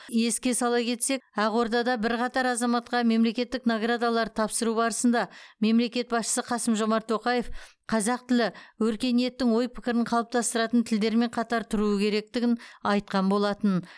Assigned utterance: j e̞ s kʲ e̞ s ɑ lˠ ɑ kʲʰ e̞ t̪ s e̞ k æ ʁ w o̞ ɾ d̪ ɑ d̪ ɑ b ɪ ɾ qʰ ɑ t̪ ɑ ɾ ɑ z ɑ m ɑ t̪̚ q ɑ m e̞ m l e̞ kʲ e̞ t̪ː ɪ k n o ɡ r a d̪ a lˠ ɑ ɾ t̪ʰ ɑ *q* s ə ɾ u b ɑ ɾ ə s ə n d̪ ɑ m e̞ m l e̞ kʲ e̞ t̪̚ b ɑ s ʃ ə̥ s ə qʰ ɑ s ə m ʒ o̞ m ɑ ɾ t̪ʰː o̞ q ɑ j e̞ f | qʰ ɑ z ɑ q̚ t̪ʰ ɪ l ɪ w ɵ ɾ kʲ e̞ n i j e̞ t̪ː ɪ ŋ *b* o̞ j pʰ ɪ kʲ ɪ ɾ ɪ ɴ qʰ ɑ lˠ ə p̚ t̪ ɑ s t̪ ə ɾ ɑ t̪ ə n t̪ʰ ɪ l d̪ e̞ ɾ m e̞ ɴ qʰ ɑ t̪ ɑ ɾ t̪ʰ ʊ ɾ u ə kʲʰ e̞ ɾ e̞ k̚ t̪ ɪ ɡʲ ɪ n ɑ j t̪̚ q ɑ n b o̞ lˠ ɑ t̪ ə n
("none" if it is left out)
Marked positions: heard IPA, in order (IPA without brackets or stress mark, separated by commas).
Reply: p, w